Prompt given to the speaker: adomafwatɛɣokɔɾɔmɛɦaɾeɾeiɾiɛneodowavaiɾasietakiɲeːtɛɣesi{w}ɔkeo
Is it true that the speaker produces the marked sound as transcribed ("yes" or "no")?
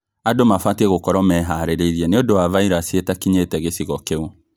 no